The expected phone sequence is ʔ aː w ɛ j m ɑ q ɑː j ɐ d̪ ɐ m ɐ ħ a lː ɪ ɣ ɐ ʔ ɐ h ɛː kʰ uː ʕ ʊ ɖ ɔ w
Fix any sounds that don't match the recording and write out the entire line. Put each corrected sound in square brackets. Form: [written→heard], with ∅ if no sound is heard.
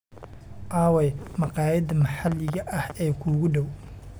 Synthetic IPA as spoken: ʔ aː w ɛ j m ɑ q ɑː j ɐ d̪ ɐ m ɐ ħ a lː ɪ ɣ ɐ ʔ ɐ h ɛː kʰ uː [ʕ→ɣ] ʊ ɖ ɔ w